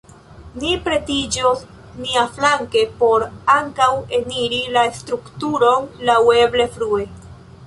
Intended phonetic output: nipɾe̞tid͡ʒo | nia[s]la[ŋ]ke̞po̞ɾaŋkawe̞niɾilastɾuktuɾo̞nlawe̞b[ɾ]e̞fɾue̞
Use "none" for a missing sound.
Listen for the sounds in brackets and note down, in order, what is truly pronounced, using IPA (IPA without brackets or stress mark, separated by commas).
f, ŋ, l